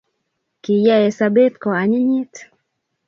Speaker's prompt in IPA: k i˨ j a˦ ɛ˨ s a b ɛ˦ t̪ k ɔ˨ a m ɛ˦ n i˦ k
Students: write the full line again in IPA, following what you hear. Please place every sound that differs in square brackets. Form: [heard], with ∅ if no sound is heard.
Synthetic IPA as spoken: k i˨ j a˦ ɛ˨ s a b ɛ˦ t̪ k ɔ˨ a [ɲ] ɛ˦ [ɲ] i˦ [t]

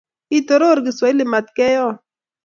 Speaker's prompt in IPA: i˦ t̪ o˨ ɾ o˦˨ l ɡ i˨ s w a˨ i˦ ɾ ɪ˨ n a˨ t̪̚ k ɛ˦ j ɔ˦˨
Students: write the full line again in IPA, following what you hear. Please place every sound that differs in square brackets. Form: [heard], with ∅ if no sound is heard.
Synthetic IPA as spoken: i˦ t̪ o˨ ɾ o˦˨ [ɾ] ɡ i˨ s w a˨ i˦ [l] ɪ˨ [m] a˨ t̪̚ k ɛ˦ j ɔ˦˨

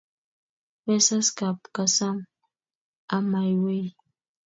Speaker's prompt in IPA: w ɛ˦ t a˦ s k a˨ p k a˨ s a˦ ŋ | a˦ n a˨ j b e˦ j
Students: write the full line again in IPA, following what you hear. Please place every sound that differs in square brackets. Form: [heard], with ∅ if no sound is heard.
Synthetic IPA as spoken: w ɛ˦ [s] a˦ s k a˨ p k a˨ s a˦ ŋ | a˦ [m] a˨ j [w] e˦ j

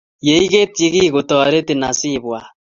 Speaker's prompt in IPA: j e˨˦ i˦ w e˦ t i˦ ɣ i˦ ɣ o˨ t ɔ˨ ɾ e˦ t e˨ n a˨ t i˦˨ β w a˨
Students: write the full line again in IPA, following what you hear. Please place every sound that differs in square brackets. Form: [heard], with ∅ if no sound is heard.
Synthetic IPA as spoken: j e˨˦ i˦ [ɣ] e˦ t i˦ ɣ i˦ ɣ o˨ t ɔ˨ ɾ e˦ t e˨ n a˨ [s] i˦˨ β w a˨

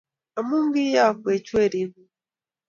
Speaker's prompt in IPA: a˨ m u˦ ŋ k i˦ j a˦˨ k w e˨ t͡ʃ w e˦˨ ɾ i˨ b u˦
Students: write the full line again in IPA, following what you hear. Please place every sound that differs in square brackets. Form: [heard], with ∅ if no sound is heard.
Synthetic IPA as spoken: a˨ m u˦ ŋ [ɡ] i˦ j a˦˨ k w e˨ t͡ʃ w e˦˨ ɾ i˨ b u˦

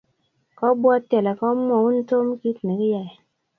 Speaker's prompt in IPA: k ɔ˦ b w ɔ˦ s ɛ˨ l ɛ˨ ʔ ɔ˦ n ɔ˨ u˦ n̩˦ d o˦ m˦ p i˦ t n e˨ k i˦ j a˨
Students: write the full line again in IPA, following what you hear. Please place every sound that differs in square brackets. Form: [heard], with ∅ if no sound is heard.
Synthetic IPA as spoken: k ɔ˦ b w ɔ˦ [t] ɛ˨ l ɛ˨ [k] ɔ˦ [m] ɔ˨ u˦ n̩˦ [t] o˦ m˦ [k] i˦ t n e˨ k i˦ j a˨

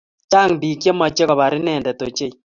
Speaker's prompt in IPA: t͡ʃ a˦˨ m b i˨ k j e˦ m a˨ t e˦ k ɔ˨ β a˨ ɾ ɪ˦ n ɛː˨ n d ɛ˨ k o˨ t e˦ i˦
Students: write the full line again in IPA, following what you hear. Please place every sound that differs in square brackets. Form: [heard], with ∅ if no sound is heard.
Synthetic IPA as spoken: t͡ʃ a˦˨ [ŋ] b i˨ k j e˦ m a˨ [t͡ʃ] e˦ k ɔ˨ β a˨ ɾ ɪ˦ n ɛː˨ n d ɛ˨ [t] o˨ [t͡ʃ] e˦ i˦

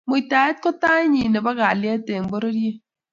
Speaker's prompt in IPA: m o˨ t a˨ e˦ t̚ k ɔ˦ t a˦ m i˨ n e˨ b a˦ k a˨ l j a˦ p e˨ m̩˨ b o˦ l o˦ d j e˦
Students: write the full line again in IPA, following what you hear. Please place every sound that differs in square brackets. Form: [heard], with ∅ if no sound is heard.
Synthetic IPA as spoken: m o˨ t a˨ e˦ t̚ k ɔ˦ t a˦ [ɲ] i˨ n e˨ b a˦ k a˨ l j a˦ [t] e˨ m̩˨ b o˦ [ɾ] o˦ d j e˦

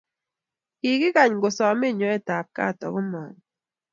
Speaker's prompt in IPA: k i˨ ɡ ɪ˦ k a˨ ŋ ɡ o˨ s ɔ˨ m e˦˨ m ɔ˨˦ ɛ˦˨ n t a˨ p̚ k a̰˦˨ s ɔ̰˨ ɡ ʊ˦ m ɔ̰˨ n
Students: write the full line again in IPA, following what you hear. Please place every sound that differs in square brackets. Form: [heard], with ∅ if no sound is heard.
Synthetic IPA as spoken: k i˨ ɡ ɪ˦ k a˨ [ɲ] ɡ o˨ s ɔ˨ m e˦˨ [ɲ] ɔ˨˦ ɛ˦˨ [∅] t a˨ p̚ k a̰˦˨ [t] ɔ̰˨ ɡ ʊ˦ m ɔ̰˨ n

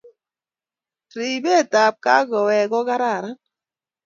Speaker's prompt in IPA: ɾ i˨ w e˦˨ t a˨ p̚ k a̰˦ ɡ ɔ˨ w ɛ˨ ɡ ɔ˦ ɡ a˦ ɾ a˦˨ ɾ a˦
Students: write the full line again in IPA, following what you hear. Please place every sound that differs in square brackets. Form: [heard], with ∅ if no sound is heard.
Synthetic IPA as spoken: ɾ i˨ [b] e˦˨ t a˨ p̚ k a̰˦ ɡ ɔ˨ w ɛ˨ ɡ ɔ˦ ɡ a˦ ɾ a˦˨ ɾ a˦

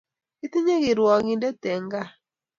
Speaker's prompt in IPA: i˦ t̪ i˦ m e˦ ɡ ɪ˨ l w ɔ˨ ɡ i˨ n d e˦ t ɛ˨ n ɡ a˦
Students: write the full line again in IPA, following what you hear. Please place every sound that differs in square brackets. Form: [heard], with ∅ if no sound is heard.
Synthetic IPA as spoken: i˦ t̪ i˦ [ɲ] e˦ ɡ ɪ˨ [ɾ] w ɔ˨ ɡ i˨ n d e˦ t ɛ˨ [ŋ] ɡ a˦

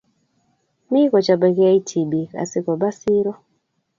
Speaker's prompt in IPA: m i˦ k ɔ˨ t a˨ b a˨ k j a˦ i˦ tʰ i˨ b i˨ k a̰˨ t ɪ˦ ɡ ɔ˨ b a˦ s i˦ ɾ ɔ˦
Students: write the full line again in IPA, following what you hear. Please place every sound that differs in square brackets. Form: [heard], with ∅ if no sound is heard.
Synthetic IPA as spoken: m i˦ k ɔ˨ [t͡ʃ] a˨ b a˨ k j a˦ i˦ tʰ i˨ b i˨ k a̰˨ [s] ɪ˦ [k] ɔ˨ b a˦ s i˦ ɾ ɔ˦

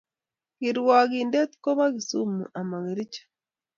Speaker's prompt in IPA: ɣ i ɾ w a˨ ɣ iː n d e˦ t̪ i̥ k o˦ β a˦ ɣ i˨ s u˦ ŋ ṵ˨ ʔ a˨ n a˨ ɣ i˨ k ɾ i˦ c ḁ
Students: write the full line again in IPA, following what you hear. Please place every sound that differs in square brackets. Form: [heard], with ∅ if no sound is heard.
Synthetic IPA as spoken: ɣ i ɾ w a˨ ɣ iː n d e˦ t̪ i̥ k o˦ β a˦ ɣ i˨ s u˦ [m] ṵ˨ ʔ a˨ [m] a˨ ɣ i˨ [∅] ɾ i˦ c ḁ

